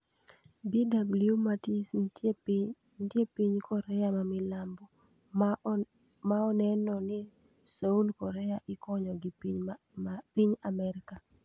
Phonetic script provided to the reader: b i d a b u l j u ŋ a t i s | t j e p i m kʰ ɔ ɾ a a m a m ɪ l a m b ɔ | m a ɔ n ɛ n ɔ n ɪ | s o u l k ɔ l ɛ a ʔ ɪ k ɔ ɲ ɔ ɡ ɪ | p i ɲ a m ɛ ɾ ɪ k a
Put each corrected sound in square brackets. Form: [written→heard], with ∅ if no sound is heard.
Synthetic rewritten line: b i d a b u l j u [ŋ→m] a t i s | t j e p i [m→ɲ] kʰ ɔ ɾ [a→ɛ] a m a m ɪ l a m b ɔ | m a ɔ n ɛ n ɔ n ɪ | s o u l k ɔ [l→ɾ] ɛ a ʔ ɪ k ɔ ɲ ɔ ɡ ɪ | p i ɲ a m ɛ ɾ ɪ k a